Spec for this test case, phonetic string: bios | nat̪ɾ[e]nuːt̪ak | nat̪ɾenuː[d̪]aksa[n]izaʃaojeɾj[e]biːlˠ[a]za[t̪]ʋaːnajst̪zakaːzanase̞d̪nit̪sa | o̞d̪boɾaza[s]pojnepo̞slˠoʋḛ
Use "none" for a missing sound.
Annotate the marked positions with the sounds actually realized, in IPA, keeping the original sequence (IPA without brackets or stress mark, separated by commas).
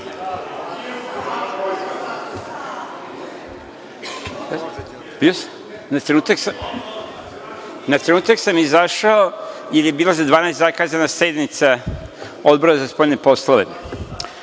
e, t̪, m, e, a, d̪, s